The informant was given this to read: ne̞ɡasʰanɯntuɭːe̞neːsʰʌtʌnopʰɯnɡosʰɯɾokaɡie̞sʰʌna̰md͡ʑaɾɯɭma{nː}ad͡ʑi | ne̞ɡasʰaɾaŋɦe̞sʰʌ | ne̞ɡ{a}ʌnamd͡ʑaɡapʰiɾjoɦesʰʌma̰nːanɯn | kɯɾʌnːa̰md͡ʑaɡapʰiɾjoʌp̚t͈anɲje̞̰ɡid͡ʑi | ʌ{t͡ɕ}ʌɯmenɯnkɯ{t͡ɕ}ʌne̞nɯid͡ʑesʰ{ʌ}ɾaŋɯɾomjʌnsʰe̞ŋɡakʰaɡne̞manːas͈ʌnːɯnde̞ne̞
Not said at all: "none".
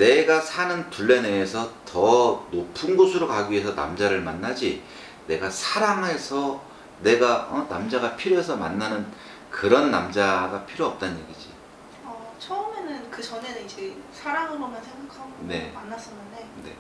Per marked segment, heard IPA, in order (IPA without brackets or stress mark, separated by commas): nː, a, t͡ɕʰ, t͡ɕ, a